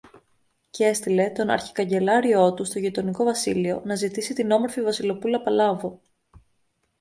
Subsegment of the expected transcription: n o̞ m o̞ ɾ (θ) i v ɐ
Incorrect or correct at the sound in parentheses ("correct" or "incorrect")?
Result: incorrect